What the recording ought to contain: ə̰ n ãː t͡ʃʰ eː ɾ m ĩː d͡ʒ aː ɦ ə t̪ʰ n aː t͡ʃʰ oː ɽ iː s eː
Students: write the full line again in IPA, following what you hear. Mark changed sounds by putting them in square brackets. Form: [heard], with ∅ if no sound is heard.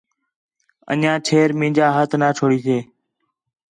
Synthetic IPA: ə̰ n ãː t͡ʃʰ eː ɾ m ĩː d͡ʒ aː ɦ ə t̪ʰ n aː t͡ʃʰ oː ɽ iː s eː